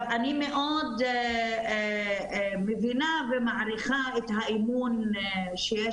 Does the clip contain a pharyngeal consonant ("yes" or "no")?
yes